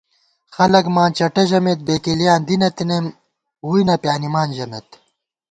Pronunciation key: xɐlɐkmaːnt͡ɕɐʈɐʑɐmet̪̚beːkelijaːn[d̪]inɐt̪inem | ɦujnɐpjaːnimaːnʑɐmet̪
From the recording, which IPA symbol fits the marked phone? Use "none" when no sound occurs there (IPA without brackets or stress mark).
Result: d̪